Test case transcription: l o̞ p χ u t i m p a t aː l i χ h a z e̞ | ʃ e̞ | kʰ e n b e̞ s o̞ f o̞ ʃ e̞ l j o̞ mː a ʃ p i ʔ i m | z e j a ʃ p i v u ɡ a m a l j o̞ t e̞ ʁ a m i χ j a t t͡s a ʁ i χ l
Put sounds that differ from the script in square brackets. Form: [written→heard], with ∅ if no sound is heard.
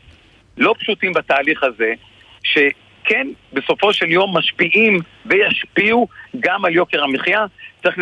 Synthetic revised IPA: l o̞ p [χ→ʃ] u t i m [p→b] a t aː l i χ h a z e̞ | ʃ e̞ | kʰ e n b e̞ s o̞ f o̞ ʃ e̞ l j o̞ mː a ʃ p i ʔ i m | [z→v] e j a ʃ p i [v→∅] u ɡ a m a l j o̞ [t→k] e̞ ʁ a m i χ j a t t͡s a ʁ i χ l